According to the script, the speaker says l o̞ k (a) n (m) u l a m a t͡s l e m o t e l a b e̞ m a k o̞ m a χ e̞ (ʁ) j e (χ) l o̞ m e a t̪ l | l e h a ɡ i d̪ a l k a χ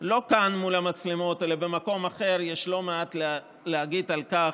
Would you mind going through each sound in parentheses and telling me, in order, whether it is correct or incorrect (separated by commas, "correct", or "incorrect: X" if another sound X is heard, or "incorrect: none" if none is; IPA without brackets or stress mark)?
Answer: correct, correct, correct, incorrect: ʃ